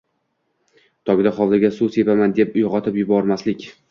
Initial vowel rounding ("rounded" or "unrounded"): rounded